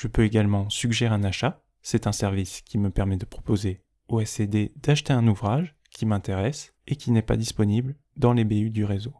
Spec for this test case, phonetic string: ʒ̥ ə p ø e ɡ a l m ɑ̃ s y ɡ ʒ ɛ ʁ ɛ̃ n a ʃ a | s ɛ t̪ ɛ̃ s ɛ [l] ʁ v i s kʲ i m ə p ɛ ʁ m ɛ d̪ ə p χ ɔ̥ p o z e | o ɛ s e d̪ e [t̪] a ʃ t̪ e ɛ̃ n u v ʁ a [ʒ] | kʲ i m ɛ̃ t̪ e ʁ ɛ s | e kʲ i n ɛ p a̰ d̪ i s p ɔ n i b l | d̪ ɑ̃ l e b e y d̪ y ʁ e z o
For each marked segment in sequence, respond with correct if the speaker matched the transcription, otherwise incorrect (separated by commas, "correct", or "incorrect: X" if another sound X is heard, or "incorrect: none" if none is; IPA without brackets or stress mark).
incorrect: none, incorrect: d̪, correct